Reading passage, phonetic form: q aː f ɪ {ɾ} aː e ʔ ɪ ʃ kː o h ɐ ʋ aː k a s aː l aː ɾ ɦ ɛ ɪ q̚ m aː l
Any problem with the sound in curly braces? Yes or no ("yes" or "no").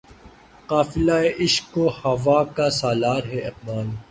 yes